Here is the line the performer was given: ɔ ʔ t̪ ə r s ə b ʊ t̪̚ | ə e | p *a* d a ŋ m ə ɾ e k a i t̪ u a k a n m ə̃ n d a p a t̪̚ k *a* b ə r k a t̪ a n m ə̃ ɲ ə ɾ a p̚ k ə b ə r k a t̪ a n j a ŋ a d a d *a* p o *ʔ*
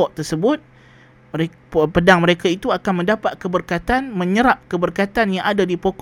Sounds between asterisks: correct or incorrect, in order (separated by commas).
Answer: incorrect, incorrect, incorrect, incorrect